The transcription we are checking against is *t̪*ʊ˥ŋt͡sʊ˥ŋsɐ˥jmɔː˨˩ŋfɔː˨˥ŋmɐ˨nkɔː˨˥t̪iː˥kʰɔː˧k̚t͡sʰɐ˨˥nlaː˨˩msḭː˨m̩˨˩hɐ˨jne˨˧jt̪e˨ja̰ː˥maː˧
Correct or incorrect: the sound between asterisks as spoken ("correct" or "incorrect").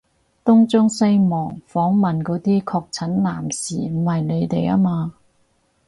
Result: correct